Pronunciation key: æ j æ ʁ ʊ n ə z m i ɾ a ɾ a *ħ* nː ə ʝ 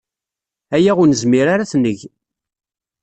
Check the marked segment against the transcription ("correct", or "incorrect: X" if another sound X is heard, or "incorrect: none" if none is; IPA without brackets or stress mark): incorrect: θ